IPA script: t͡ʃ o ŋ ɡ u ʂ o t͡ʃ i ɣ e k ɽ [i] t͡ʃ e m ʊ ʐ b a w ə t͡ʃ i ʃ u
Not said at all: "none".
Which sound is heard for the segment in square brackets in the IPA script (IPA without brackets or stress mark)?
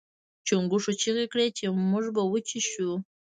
e